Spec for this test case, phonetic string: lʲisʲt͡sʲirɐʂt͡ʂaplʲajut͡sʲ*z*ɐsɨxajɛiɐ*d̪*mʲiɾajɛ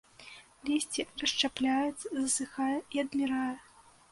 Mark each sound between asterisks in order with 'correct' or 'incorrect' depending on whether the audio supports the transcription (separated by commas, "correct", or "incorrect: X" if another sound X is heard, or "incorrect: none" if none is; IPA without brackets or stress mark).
correct, correct